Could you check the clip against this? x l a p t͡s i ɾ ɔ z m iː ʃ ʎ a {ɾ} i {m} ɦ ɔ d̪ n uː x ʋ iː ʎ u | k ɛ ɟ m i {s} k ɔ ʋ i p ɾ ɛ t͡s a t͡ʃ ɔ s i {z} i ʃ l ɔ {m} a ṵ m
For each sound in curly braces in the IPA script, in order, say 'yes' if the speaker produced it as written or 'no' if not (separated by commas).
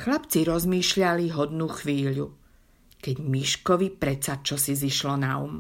no, no, no, yes, no